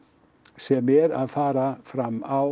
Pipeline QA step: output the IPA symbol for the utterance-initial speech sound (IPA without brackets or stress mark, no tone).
s